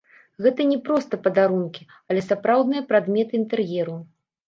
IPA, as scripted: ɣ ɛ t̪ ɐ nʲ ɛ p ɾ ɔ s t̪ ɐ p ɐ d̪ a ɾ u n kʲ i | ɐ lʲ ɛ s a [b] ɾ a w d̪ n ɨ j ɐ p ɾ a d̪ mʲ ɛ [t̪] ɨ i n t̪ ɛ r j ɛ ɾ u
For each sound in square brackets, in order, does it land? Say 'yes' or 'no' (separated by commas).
no, yes